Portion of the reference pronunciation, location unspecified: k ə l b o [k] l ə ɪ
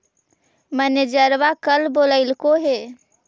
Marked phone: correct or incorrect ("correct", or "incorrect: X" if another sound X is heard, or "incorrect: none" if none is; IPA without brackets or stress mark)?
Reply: incorrect: none